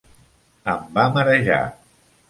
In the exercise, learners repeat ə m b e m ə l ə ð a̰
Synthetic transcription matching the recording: ə m b a m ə ɾ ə ʒ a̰

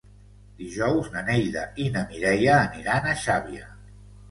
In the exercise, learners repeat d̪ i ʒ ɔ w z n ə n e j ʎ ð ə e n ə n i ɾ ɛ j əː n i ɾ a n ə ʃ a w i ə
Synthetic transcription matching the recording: d̪ i ʒ ɔ w z n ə n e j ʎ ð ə i n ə m i ɾ ɛ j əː n i ɾ a n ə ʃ a β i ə

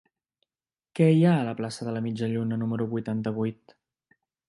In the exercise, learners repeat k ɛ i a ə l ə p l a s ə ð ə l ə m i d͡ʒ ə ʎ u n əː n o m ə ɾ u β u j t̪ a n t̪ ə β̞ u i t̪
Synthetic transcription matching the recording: k ɛ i a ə l ə p l a s ə ð ə l ə m i d͡ʒ ə ʎ u n ə n u m ə ɾ u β u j t̪ a n t̪ ə β̞ u j t̪

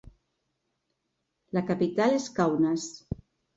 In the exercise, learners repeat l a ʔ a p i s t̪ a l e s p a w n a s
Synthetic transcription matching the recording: l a k a p i t̪ a l e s k a w n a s

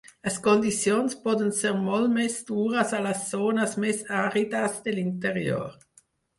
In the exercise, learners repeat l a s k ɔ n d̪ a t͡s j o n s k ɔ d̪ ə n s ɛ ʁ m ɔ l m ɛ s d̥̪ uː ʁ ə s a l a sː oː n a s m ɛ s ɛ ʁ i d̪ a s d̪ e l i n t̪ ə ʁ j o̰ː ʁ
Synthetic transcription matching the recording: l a s k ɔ n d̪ i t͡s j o n s p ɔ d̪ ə n s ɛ ʁ m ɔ l m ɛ s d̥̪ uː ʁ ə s a l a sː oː n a s m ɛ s a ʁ i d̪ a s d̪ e l i n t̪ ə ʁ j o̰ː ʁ

